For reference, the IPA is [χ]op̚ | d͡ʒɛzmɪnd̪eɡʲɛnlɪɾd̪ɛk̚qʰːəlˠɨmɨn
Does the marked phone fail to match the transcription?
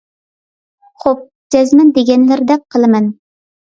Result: no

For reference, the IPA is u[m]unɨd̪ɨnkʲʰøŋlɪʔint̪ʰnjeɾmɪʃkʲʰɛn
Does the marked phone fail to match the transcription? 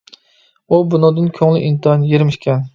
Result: yes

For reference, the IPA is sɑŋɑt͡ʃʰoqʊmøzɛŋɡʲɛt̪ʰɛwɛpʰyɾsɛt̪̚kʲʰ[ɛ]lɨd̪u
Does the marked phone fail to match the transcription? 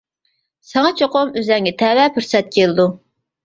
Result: yes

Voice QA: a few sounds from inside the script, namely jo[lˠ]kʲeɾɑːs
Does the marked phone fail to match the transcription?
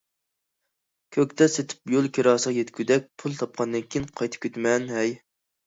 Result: no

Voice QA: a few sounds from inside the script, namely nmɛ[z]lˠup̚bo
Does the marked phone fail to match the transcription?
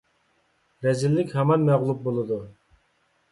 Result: yes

